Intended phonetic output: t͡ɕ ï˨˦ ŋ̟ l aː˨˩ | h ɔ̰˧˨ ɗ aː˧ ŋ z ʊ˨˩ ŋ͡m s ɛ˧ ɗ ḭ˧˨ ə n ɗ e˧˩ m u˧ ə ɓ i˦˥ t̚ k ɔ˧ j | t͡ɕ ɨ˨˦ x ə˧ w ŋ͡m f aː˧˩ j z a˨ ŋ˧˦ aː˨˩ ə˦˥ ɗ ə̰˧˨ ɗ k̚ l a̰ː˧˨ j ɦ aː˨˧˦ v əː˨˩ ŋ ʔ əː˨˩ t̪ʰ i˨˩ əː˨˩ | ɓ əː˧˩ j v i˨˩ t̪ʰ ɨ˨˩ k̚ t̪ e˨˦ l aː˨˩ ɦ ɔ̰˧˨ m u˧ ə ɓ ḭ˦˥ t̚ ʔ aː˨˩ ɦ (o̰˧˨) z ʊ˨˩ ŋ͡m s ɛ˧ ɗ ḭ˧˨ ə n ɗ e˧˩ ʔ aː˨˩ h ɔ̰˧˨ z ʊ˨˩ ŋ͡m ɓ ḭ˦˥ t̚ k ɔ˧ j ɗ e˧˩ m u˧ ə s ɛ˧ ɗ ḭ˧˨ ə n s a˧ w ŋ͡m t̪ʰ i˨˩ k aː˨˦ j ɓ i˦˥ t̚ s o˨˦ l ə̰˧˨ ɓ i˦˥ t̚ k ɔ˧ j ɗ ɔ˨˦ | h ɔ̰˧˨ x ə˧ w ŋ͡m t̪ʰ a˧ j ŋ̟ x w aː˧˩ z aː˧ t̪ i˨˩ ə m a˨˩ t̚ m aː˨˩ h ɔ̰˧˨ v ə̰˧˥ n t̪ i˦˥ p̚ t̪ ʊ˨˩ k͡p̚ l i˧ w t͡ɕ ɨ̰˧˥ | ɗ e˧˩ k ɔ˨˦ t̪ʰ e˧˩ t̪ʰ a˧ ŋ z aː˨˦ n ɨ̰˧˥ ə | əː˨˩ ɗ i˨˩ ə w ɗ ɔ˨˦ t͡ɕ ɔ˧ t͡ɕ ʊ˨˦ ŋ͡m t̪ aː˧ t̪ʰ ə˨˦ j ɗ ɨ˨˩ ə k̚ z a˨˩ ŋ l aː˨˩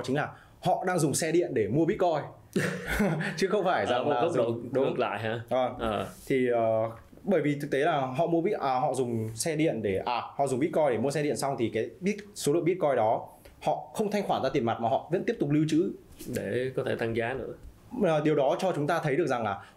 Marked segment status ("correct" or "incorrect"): incorrect